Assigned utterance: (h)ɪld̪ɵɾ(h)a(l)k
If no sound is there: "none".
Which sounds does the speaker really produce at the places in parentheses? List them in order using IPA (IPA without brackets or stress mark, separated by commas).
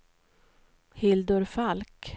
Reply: h, f, l